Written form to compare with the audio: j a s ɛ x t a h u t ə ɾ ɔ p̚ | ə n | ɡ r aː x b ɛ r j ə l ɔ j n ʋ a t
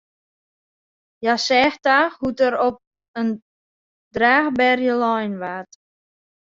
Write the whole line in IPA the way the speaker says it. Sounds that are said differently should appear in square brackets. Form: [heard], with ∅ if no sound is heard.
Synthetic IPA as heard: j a s ɛ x t a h u t ə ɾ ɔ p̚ | ə n | [d] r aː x b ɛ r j ə l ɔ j n ʋ a t